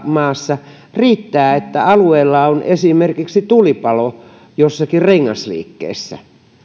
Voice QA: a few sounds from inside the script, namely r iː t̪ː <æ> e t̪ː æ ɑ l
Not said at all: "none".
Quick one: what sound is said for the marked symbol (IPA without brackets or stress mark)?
æː